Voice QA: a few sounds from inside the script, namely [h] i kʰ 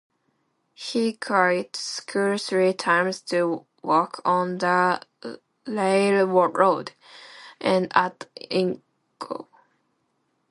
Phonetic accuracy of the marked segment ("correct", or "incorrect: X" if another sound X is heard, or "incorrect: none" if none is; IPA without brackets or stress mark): correct